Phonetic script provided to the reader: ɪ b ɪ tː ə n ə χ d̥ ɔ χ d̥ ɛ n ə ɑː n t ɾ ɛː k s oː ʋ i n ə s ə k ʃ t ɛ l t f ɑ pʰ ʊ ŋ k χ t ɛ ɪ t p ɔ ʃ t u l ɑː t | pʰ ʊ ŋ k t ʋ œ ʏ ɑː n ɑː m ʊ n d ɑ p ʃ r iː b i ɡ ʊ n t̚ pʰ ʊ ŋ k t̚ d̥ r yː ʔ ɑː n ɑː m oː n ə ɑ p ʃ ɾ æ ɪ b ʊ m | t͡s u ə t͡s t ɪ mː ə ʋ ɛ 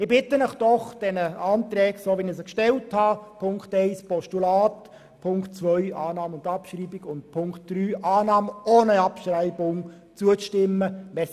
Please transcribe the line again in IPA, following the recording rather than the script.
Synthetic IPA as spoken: ɪ b ɪ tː ə n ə χ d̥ ɔ χ d̥ ɛ n ə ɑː n t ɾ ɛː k s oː ʋ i n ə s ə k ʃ t ɛ l t h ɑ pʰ ʊ ŋ k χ t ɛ ɪ s p ɔ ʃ t u l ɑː t | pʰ ʊ ŋ k t͡s ʋ œ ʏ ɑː n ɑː m ʊ n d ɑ p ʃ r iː b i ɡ ʊ n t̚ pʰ ʊ ŋ k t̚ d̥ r yː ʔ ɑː n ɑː m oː n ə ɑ p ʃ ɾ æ ɪ b ʊ ŋ | t͡s u ə t͡s t ɪ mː ə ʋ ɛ